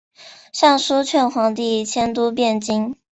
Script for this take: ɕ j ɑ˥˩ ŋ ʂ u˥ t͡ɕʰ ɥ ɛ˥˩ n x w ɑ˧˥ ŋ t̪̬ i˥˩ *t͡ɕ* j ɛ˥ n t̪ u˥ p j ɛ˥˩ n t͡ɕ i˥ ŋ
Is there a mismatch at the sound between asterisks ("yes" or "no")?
yes